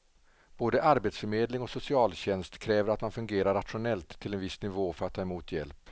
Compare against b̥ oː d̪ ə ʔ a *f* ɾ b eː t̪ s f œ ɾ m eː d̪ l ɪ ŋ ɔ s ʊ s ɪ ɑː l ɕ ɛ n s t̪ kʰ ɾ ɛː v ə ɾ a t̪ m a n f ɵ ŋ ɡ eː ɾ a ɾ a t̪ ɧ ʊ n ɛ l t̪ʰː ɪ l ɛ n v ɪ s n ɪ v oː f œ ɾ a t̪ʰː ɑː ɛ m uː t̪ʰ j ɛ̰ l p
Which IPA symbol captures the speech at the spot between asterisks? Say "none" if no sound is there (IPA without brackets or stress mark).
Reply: none